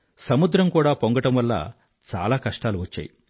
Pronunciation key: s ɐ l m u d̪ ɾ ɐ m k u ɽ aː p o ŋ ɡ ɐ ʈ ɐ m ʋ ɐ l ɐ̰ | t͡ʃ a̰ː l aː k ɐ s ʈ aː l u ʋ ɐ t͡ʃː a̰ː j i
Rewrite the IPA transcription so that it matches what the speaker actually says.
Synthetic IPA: s ɐ m u d̪ ɾ ɐ m k uː ɽ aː p o ŋ ɡ ɐ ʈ ɐ m ʋ ɐ lː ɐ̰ | t͡ʃ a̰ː l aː k ɐ ʂ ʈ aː l u ʋ ɐ t͡ʃː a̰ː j i